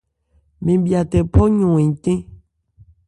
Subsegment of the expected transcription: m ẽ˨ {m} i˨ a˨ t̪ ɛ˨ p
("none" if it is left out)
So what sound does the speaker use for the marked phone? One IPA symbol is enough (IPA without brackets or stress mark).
b